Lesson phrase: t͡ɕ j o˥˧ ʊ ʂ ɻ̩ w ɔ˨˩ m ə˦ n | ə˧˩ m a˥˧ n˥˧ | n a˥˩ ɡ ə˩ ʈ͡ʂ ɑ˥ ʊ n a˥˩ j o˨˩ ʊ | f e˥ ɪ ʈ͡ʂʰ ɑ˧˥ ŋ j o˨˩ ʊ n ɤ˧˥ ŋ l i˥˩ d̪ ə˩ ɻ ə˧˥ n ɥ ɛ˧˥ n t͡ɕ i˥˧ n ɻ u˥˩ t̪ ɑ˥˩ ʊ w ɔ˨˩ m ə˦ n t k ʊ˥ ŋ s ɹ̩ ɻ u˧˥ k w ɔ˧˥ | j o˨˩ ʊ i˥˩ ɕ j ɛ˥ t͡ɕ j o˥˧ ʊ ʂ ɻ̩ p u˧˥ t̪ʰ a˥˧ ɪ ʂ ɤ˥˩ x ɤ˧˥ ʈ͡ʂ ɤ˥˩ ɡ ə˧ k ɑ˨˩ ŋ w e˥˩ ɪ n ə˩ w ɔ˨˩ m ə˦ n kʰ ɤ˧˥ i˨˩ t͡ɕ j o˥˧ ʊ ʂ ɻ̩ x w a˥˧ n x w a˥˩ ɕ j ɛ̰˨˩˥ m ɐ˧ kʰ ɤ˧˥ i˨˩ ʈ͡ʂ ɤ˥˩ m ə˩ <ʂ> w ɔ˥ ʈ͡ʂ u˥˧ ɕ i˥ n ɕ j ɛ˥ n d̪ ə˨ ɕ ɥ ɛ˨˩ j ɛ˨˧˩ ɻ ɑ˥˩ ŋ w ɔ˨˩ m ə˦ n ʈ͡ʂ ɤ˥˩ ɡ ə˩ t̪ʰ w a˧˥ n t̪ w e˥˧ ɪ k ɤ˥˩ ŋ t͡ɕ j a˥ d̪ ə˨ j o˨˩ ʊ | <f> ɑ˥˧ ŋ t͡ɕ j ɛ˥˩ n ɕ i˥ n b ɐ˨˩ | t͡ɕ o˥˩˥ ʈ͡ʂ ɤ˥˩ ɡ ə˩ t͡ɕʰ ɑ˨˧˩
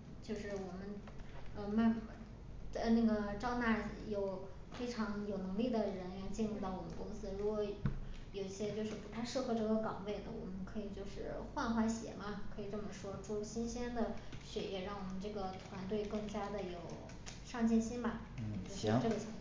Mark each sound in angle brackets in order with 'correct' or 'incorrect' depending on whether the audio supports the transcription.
correct, incorrect: ʂ

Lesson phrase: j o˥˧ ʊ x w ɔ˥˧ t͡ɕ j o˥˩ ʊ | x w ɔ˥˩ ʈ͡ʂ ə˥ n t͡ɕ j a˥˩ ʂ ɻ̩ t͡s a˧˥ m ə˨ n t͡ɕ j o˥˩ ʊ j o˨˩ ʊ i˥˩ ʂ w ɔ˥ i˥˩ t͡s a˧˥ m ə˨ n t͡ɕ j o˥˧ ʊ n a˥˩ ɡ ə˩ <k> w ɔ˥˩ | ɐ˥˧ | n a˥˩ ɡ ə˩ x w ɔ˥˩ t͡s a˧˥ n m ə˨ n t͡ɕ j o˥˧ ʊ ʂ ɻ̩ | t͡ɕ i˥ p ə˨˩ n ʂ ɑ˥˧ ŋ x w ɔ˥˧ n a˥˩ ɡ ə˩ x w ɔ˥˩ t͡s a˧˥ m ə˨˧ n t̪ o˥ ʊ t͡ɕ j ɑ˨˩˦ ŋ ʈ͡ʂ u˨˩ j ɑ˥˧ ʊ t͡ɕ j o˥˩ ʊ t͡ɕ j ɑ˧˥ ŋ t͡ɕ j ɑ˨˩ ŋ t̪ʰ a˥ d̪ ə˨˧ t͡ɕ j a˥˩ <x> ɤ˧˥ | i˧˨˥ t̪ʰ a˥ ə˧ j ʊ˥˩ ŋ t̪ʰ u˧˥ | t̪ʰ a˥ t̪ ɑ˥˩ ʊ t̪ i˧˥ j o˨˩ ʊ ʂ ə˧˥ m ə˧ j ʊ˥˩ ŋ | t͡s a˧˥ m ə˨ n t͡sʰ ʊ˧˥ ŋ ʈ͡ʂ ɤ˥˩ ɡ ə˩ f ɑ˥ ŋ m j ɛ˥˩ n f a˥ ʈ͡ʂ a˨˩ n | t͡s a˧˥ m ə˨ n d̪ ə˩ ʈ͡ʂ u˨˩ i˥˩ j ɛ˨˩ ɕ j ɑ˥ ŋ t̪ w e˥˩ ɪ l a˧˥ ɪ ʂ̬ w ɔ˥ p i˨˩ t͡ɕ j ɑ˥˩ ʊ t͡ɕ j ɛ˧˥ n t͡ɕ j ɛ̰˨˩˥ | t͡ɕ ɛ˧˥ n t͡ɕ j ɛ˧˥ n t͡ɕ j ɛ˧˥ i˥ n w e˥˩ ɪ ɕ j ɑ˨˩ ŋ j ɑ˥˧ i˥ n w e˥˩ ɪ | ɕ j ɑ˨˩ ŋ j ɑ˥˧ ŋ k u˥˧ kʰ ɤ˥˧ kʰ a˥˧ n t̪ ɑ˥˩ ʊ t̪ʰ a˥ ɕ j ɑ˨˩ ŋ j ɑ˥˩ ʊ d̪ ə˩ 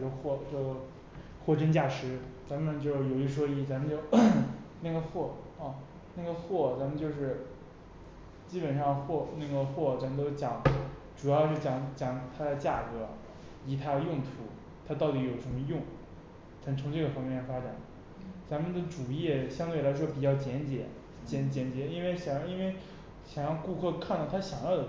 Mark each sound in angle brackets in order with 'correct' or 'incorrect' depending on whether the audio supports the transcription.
incorrect: x, incorrect: k

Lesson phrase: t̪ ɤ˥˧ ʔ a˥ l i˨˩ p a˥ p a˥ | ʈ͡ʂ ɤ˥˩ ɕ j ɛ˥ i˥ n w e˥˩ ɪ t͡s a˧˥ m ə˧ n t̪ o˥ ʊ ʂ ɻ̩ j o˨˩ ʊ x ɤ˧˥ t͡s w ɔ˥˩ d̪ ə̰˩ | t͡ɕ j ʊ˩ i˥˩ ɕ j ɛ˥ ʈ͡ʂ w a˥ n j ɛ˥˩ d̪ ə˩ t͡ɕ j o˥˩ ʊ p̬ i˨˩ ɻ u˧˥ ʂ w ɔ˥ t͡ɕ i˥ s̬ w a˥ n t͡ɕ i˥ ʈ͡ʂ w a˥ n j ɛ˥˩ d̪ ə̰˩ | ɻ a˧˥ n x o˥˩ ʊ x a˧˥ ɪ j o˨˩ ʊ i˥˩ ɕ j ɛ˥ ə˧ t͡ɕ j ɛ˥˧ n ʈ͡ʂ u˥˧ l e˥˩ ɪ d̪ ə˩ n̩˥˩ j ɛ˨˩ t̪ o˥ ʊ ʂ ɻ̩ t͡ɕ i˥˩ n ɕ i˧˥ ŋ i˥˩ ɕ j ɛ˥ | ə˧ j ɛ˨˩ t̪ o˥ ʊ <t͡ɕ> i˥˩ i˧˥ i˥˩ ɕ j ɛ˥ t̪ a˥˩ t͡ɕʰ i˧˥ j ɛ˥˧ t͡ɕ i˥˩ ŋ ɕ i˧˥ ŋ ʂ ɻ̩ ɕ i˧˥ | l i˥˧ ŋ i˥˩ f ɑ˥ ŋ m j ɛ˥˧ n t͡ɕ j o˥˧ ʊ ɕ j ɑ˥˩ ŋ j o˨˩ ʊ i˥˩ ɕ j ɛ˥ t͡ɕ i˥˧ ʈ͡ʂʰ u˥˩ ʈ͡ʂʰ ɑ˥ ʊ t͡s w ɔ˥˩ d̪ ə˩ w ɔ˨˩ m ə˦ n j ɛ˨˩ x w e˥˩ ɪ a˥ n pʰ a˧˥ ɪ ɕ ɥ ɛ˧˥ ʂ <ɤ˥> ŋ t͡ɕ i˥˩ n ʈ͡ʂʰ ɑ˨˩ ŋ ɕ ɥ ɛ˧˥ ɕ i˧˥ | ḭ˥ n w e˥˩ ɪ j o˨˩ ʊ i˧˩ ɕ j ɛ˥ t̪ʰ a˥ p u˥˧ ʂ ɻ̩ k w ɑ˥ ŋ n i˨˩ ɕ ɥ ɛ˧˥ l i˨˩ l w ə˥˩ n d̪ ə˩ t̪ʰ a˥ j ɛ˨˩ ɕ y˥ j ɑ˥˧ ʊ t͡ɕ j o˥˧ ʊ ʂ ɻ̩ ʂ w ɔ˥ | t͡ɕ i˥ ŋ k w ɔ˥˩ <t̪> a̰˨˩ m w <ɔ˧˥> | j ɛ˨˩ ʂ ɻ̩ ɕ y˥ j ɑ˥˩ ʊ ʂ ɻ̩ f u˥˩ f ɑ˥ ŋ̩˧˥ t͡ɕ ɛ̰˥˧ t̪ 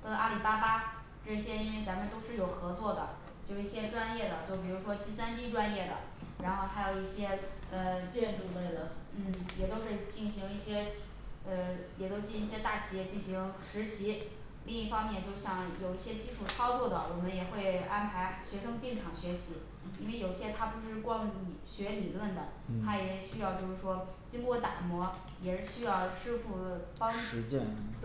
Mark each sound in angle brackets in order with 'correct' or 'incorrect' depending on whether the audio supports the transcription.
correct, correct, correct, correct

